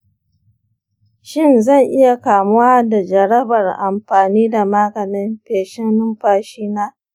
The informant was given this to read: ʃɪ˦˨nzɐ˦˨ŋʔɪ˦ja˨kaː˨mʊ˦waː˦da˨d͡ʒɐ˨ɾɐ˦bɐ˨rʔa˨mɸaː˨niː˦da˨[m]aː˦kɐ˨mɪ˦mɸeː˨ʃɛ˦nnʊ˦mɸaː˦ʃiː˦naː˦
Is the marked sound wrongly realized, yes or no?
no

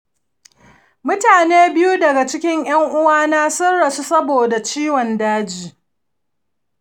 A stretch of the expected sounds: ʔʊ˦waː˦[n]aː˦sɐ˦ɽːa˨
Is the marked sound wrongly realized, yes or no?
no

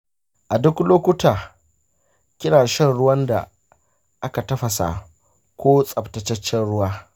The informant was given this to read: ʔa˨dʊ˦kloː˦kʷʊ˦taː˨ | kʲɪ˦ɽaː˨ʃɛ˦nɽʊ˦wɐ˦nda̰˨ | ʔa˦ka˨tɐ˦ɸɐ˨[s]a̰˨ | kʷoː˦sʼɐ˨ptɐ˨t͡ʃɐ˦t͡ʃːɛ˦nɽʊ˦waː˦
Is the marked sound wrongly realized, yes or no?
no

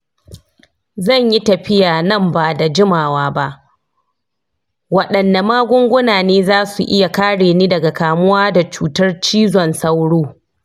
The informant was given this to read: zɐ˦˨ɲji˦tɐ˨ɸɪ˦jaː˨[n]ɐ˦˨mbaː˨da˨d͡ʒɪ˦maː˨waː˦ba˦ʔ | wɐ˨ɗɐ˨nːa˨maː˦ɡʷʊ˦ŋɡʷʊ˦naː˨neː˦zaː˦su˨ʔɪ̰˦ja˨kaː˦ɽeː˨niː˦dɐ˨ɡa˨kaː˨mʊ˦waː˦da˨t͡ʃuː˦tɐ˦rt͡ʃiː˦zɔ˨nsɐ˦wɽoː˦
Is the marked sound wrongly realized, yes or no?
no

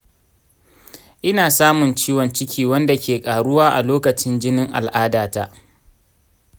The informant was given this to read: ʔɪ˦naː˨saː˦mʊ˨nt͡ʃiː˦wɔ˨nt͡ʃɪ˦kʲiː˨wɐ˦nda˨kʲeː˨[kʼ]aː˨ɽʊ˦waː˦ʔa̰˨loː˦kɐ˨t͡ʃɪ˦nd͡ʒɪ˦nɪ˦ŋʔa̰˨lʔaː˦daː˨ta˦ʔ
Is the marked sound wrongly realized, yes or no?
no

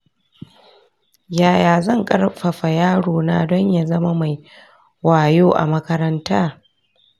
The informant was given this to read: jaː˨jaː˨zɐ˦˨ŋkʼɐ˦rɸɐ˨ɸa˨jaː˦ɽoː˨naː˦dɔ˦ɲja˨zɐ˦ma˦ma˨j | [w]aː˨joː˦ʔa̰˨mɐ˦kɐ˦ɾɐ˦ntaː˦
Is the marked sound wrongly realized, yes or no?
no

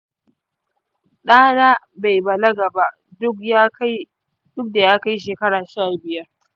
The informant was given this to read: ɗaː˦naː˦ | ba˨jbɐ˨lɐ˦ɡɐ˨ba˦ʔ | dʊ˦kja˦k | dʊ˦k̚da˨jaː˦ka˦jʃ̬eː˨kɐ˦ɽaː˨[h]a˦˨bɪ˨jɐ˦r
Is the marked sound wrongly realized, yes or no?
yes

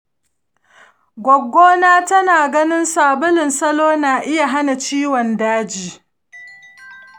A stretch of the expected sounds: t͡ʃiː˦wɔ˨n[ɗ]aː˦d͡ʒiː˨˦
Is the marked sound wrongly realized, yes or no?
yes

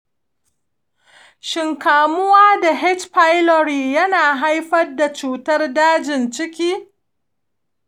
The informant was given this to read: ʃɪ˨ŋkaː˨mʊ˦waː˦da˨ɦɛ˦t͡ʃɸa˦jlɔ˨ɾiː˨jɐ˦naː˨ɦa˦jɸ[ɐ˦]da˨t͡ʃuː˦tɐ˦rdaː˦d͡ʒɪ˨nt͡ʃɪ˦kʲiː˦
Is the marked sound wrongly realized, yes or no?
no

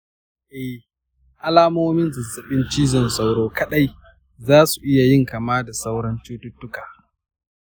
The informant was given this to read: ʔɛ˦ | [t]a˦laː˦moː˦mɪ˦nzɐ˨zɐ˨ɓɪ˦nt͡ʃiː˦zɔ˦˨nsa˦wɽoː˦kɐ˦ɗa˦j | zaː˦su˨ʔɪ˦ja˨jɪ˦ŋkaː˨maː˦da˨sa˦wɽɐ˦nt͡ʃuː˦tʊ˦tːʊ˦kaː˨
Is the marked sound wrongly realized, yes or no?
yes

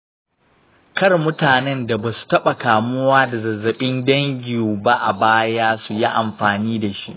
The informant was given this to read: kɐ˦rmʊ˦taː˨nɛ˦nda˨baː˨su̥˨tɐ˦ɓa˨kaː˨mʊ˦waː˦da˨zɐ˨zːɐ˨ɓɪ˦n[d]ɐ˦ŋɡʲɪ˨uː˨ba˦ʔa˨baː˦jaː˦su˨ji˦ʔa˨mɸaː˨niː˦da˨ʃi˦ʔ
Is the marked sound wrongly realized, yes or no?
no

